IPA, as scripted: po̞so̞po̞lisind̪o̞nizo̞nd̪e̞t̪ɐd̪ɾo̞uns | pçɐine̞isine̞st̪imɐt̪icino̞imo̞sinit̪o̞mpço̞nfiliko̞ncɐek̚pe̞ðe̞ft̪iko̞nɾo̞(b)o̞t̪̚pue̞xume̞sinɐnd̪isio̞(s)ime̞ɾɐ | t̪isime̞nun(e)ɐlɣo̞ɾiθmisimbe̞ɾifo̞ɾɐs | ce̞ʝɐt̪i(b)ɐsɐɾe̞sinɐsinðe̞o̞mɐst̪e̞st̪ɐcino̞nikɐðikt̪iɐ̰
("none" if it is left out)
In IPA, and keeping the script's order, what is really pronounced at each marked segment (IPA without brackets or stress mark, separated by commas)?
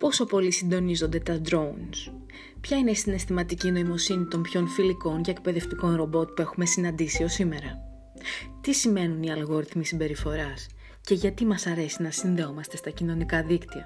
b, s, i, m